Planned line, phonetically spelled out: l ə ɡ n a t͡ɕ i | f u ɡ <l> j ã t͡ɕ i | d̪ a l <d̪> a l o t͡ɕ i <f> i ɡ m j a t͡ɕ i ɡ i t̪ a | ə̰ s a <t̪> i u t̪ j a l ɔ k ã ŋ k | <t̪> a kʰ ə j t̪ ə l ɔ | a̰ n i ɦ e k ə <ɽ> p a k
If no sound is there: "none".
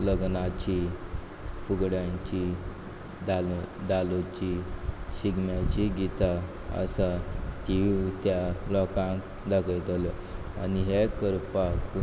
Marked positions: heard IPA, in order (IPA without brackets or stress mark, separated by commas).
ɽ, d̪, ɕ, t̪, d̪, ɾ